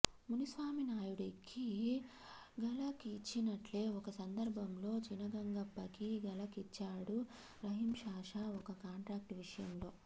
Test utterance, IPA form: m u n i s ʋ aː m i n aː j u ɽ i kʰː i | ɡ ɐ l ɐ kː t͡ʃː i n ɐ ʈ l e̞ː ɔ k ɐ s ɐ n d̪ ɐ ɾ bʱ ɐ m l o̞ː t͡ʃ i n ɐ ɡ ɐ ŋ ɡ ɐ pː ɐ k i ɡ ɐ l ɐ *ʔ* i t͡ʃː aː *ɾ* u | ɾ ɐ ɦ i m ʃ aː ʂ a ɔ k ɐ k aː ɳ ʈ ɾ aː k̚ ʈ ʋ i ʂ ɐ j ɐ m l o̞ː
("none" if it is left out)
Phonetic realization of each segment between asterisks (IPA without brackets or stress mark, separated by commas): k, ɽ